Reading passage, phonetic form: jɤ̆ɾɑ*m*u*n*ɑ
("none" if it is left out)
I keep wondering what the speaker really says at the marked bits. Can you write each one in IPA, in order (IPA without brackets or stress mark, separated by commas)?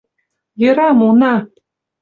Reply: m, n